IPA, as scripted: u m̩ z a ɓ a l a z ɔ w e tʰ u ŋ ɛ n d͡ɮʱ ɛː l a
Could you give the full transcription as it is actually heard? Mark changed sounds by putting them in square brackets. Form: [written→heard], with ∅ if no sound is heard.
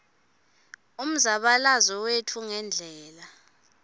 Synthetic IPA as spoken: u m̩ z a ɓ a l a z ɔ w e tʰ u ŋ ɛ n d͡ɮʱ ɛː l a

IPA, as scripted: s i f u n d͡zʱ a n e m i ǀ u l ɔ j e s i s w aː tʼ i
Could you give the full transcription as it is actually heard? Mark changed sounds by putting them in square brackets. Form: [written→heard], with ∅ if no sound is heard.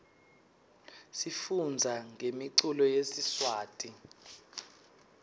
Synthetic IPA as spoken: s i f u n d͡zʱ a [n→ŋ] e m i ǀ u l ɔ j e s i s w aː tʼ i

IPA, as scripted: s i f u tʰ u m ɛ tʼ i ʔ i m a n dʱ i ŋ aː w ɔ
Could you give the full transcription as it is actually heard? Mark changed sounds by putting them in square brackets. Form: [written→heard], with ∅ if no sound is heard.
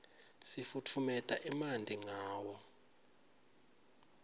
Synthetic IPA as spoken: s i f u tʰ u m ɛ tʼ [i→a] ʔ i m a n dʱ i ŋ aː w ɔ

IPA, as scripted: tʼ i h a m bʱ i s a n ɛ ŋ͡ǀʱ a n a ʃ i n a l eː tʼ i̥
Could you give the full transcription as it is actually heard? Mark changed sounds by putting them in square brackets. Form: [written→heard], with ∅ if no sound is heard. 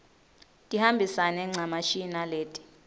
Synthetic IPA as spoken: tʼ i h a m bʱ i s a n ɛ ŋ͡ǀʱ a [n→m] a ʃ i n a l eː tʼ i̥

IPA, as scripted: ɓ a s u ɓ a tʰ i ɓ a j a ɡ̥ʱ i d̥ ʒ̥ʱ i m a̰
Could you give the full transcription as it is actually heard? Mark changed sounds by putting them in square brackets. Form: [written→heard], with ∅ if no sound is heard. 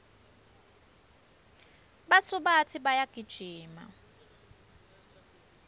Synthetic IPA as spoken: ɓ a s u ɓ a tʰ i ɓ a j a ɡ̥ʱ i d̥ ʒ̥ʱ [i→iː] m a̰

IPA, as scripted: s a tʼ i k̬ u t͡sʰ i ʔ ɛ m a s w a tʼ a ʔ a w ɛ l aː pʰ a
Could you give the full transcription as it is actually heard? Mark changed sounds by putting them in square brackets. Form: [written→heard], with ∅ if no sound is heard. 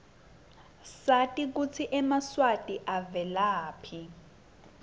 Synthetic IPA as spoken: s a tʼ i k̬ u t͡sʰ i ʔ ɛ m a s w a tʼ [a→i] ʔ a [w→v] ɛ l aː pʰ [a→i]

